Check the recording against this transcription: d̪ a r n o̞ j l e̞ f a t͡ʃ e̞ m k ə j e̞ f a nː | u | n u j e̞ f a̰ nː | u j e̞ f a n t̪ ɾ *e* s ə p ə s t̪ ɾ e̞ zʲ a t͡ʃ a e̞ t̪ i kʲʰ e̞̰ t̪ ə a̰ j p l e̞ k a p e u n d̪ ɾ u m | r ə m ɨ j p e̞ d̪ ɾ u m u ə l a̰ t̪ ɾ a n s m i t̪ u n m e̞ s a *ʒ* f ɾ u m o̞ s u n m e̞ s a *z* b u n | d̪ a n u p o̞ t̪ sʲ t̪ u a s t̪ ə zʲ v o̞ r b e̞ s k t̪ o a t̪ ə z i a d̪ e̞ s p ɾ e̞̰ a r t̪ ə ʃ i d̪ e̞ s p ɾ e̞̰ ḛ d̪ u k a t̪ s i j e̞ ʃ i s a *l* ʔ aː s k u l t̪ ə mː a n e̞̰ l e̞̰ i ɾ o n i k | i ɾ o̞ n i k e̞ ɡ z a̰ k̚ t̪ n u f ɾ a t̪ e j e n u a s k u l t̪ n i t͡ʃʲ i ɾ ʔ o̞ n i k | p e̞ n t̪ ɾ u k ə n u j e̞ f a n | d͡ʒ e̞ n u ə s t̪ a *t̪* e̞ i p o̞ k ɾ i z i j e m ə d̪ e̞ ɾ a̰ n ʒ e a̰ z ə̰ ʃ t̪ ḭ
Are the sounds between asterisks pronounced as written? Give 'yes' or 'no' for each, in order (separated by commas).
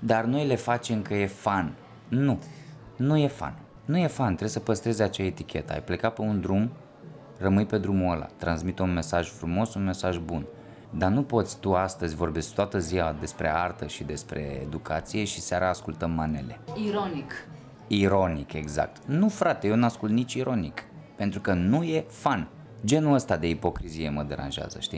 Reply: yes, yes, no, no, no